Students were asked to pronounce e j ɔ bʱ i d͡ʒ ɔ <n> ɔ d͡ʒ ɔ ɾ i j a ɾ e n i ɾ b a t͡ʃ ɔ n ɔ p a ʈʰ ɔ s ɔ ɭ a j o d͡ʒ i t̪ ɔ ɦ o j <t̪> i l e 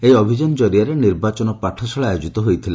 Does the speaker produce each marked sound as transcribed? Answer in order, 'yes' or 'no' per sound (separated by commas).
yes, no